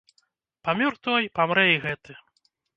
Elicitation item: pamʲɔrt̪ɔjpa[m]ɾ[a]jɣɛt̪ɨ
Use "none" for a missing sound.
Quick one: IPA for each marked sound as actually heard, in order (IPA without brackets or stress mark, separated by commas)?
m, ɛ